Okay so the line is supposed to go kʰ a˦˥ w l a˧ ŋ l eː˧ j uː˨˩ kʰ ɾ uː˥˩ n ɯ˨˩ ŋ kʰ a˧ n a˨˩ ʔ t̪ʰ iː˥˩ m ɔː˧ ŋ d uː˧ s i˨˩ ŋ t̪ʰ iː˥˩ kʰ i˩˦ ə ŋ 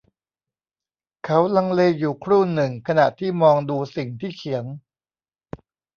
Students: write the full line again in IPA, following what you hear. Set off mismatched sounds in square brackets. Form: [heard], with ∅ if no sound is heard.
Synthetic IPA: kʰ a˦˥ w l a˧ ŋ l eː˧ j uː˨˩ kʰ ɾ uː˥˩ n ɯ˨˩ ŋ kʰ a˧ n a˨˩ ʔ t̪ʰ iː˥˩ m ɔː˧ ŋ d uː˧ s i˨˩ ŋ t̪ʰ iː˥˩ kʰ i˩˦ ə ŋ

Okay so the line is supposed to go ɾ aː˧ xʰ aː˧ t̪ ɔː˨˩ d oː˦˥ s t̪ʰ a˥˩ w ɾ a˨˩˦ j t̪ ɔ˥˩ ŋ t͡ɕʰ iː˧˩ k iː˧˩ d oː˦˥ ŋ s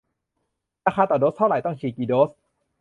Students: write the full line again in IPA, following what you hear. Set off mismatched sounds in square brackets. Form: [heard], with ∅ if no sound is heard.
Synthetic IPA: ɾ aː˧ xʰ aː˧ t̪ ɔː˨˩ d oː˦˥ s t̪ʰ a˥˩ w ɾ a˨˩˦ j t̪ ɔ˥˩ ŋ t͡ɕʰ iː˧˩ k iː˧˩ d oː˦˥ [∅] s

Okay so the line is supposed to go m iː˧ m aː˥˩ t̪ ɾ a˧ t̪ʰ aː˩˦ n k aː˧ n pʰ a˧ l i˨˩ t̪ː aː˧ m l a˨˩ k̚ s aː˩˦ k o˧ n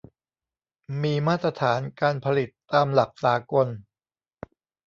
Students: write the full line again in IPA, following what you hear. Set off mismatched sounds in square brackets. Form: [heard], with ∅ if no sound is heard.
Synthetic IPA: m iː˧ m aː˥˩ t̪ ɾ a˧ t̪ʰ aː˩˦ n k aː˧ n pʰ a˧ l i˨˩ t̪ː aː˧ m l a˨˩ k̚ s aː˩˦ k o˧ n

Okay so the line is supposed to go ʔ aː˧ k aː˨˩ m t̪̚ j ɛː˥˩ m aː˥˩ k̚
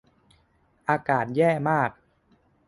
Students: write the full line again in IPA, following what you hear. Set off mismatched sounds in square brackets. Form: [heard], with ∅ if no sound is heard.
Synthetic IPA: ʔ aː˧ k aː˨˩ [∅] t̪̚ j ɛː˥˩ m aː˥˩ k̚

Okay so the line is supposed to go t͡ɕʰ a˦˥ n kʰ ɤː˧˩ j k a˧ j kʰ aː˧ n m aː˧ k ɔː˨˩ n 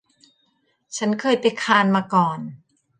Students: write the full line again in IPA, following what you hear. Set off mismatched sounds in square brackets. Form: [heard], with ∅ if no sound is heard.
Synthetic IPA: t͡ɕʰ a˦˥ n kʰ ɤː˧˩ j [p] a˧ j kʰ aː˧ n m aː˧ k ɔː˨˩ n

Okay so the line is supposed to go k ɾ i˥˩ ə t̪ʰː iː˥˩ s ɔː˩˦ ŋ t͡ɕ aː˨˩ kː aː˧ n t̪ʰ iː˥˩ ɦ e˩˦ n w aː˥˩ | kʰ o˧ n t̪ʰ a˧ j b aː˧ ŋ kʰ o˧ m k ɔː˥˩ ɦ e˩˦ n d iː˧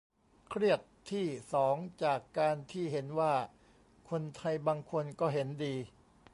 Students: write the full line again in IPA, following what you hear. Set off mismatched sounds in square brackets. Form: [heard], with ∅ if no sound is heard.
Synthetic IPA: [kʰ] ɾ i˥˩ ə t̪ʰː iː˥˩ s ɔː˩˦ ŋ t͡ɕ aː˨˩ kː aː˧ n t̪ʰ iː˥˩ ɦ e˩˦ n w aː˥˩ | kʰ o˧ n t̪ʰ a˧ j b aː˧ ŋ kʰ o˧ [n] k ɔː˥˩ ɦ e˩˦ n d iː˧

